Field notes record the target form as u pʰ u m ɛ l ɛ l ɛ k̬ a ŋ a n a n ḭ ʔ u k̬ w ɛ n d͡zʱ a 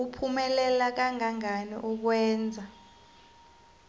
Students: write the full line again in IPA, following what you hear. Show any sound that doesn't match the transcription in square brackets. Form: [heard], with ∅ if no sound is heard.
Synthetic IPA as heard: u pʰ u m ɛ l ɛ l [a] k̬ a ŋ a [ŋ] a n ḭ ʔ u k̬ w [ɛː] n d͡zʱ a